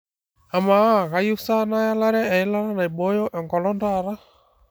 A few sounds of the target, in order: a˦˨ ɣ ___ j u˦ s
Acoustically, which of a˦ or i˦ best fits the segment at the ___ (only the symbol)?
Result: a˦